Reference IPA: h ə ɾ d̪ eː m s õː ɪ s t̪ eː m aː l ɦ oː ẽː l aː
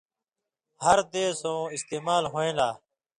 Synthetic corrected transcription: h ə ɾ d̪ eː s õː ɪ s t̪ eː m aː l ɦ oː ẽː l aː